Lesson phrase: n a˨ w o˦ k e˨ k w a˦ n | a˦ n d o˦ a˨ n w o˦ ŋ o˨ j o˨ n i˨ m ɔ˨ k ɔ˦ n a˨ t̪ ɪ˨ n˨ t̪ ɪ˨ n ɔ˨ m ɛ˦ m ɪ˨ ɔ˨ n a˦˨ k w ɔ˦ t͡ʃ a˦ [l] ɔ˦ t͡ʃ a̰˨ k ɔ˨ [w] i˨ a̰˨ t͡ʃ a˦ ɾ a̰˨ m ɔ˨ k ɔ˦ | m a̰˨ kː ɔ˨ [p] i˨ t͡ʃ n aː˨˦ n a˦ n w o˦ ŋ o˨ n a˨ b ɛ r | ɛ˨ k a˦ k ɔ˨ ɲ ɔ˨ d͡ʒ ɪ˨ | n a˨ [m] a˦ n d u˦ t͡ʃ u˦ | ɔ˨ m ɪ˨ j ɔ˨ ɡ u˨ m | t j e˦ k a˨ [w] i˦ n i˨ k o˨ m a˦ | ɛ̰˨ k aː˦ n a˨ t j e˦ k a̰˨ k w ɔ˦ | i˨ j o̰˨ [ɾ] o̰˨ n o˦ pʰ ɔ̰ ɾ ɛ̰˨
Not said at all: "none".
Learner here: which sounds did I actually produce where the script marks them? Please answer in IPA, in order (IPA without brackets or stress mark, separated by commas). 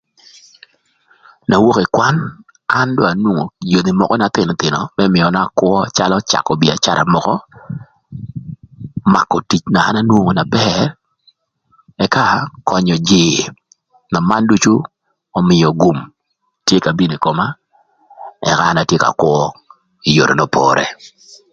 l, b, t, m, b, ɾ